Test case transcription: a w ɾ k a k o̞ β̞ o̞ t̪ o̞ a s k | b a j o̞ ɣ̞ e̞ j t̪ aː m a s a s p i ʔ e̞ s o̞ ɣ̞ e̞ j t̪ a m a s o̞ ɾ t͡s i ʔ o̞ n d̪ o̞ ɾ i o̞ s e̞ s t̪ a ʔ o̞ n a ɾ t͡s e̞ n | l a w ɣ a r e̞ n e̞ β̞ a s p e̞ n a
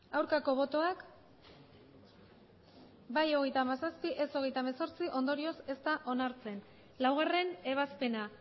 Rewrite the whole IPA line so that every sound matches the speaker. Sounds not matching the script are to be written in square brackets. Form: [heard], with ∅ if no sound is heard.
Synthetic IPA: a w ɾ k a k o̞ β̞ o̞ t̪ o̞ a [∅] k | b a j o̞ ɣ̞ e̞ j t̪ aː m a s a s p i ʔ e̞ s o̞ ɣ̞ e̞ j t̪ a m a s o̞ ɾ t͡s i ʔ o̞ n d̪ o̞ ɾ i o̞ s e̞ s t̪ a ʔ o̞ n a ɾ t͡s e̞ n | l a w ɣ a r e̞ n e̞ β̞ a s p e̞ n a